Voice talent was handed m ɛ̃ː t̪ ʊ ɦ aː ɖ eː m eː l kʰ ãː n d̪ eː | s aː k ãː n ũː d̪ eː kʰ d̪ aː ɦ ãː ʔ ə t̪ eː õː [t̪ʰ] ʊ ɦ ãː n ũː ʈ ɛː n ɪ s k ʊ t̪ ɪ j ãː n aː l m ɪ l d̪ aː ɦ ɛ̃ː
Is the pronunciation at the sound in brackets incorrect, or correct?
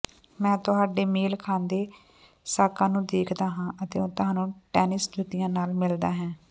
incorrect: t̪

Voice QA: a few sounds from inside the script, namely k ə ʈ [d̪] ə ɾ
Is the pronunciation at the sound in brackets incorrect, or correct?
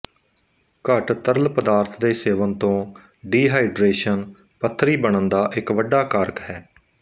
incorrect: t̪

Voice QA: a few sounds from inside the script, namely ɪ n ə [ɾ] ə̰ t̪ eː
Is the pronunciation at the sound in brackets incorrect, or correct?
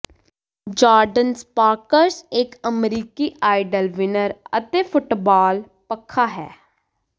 correct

